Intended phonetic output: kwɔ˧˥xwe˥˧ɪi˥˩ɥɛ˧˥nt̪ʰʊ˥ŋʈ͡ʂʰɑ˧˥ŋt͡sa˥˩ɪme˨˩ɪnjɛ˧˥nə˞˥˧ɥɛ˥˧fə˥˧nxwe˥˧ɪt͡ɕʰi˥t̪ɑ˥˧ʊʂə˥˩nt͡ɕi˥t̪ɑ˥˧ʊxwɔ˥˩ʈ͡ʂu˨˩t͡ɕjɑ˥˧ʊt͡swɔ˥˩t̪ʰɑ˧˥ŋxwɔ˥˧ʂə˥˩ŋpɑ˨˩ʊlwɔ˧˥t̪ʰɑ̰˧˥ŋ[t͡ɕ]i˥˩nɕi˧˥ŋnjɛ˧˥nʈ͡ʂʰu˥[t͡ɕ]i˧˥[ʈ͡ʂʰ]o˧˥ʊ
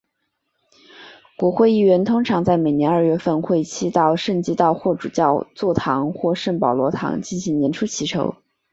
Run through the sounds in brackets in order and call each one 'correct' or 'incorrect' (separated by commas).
correct, incorrect, correct